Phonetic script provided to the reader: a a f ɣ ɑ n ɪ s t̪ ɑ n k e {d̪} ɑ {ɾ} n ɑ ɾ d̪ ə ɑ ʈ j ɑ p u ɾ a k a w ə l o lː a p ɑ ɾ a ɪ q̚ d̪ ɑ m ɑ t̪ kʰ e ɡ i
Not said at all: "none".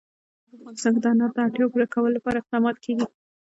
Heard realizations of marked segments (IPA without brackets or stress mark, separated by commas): d̪, none